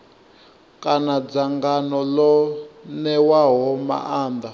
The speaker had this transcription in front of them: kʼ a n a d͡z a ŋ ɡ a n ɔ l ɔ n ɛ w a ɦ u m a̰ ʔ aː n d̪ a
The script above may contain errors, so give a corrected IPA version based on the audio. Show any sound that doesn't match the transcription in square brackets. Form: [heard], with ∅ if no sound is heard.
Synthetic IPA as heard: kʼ a n a d͡z a ŋ ɡ a n ɔ l ɔ n ɛ w a ɦ [ɔ] m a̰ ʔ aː n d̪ a